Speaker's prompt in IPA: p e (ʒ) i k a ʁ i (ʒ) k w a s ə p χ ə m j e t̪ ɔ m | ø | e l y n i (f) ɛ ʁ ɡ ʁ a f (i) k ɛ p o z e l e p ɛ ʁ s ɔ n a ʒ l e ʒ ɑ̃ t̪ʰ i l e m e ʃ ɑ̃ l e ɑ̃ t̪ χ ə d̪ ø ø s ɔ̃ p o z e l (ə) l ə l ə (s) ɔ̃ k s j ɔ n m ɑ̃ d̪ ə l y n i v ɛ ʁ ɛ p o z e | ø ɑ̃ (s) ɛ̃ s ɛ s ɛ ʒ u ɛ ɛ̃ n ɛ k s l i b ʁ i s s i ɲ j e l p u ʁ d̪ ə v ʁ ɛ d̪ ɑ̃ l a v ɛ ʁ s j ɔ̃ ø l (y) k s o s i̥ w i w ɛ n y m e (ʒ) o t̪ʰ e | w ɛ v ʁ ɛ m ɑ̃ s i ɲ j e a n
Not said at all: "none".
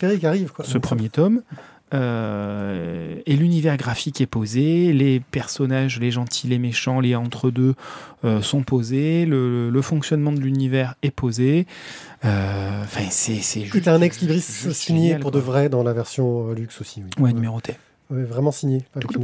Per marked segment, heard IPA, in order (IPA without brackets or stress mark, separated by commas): ʁ, v, v, i, ə, f, f, y, ʁ